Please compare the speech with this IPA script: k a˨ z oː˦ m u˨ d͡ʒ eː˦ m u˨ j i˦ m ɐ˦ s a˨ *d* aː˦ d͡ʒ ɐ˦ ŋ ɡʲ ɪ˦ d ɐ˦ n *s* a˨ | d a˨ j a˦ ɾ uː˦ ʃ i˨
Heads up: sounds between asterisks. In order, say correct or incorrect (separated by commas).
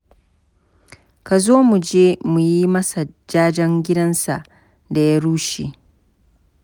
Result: incorrect, correct